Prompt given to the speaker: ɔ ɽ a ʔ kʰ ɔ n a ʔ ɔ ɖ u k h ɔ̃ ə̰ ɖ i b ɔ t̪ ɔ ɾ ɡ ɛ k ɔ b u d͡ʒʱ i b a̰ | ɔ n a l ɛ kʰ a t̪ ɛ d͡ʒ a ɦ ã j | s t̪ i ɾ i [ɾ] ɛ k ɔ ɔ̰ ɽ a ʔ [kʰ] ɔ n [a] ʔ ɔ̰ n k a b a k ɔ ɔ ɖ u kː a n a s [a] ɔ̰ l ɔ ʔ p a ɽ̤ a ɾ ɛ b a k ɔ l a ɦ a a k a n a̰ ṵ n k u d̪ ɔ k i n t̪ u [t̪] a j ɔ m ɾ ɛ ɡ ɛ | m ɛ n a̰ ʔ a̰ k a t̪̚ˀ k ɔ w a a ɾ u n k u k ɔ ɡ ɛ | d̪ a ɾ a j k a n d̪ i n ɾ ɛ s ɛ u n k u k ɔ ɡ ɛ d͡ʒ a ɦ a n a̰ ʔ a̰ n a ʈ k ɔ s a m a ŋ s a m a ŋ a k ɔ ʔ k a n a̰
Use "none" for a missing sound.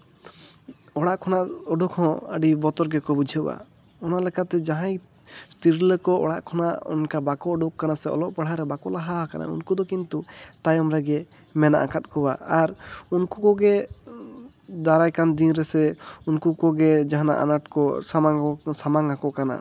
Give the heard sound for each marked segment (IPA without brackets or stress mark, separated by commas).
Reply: l, kʰ, a, ɛ, t̪